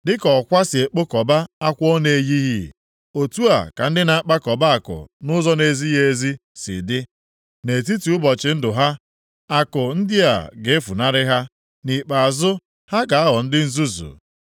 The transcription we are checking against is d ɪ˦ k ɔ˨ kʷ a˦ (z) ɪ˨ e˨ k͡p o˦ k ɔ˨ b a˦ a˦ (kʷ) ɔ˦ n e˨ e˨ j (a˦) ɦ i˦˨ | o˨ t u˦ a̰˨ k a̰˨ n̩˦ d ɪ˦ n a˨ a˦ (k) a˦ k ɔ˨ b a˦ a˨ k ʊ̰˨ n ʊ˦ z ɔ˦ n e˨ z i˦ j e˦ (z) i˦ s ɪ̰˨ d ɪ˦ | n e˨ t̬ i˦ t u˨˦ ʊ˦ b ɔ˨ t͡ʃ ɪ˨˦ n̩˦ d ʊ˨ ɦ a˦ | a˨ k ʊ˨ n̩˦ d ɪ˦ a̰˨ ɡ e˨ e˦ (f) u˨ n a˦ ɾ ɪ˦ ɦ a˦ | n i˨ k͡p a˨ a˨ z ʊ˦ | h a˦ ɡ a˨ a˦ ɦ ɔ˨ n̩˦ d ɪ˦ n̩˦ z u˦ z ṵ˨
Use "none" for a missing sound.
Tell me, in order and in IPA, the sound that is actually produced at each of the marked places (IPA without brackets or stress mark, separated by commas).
s, kʷ, i˦, k͡p, z, f